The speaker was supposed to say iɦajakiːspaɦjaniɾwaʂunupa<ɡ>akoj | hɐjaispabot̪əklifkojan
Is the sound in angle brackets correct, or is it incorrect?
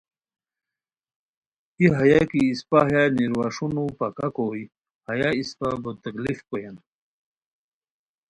incorrect